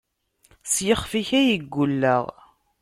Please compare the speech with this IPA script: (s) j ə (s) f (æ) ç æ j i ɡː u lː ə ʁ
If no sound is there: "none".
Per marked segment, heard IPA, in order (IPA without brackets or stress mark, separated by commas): s, χ, i